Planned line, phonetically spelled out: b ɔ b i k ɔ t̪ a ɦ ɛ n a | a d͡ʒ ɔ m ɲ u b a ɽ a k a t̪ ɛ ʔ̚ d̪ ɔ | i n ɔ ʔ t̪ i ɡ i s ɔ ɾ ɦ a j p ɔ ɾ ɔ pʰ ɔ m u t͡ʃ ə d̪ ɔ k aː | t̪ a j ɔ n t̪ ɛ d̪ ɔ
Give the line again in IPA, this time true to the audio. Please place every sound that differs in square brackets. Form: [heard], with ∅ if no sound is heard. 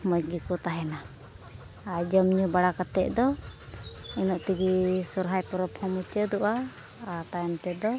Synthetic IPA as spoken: [m] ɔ [ɡ] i k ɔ t̪ a ɦ ɛ n a | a d͡ʒ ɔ m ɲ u b a ɽ a k a t̪ ɛ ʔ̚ d̪ ɔ | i n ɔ ʔ t̪ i ɡ i s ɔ ɾ ɦ a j p ɔ ɾ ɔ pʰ ɔ m u t͡ʃ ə d̪ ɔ [ʔ] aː | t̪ a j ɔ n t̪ ɛ d̪ ɔ